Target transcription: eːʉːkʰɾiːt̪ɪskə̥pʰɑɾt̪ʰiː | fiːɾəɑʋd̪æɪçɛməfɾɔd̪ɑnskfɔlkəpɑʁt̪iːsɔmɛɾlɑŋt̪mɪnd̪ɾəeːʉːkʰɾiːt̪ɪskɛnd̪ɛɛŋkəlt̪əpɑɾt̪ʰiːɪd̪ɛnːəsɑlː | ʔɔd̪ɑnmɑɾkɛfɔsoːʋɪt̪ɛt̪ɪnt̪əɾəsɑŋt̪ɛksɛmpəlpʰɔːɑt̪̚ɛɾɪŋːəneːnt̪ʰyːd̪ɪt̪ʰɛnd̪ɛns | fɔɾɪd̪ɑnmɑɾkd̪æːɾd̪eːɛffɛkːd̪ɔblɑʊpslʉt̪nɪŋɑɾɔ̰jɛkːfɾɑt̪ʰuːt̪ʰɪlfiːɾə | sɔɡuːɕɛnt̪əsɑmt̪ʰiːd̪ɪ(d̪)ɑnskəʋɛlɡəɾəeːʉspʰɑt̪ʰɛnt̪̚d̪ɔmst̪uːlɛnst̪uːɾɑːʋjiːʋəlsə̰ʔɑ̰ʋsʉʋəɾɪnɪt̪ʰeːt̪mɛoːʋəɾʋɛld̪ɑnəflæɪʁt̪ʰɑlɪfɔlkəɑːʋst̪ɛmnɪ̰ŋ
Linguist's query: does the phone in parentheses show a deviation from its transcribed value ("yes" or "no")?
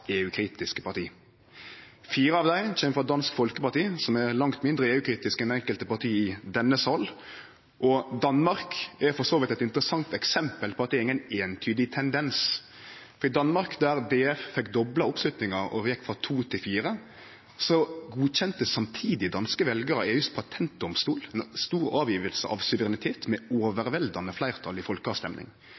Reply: no